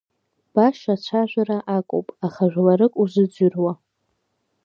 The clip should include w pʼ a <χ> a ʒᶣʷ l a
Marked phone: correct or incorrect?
correct